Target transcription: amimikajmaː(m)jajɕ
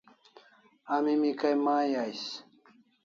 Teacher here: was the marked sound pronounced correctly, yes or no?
no